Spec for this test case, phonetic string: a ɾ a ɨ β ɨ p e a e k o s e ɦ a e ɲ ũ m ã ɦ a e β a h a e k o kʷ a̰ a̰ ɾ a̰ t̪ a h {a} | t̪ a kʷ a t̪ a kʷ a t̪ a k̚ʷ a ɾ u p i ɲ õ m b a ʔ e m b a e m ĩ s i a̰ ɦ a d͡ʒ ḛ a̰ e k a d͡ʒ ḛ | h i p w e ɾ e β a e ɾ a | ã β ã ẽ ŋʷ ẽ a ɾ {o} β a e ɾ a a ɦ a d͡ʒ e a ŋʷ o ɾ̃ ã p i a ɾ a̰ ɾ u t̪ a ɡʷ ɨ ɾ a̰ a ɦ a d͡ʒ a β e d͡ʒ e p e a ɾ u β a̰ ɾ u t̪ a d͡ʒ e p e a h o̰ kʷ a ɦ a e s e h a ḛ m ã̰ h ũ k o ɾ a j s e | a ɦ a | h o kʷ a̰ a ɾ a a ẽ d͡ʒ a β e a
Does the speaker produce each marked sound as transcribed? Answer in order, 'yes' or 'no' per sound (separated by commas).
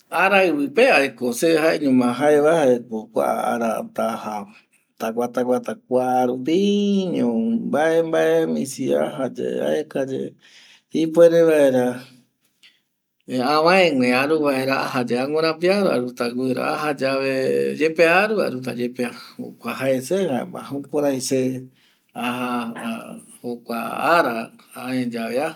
yes, no